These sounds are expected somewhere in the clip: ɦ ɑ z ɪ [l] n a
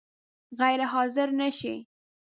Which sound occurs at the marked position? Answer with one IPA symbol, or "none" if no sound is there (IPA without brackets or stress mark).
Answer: ɾ